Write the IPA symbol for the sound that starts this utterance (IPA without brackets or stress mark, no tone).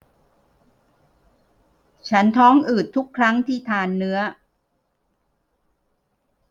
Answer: t͡ɕʰ